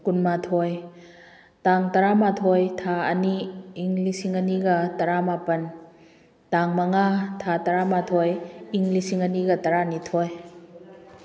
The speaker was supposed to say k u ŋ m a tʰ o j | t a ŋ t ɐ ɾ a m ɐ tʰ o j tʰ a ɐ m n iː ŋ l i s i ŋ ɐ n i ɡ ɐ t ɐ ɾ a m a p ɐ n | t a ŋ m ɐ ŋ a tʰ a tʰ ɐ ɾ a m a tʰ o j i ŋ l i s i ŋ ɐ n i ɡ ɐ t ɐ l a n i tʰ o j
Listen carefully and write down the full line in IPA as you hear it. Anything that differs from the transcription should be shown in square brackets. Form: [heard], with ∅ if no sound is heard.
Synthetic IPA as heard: k u [n] m a tʰ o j | t a ŋ t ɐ ɾ a m [a] tʰ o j tʰ a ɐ [∅] n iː ŋ l i s i ŋ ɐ n i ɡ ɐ t ɐ ɾ a m a p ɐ n | t a ŋ m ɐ ŋ a tʰ a [t] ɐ ɾ a m a tʰ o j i ŋ l i s i ŋ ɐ n i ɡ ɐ t ɐ [ɾ] a n i tʰ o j